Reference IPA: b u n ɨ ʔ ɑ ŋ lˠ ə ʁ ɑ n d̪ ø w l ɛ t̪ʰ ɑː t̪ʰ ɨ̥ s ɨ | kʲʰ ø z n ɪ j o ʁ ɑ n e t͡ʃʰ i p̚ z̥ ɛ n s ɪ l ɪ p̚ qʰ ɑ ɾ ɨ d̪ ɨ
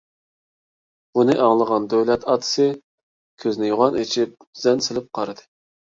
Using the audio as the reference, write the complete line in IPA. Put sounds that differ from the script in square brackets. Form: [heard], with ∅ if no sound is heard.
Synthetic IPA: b u n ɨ ʔ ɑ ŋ lˠ ə ʁ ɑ n d̪ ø w l ɛ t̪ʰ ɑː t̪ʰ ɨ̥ s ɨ | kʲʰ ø z n ɪ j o ʁ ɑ n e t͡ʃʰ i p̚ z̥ ɛ n s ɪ l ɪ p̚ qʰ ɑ ɾ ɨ d̪ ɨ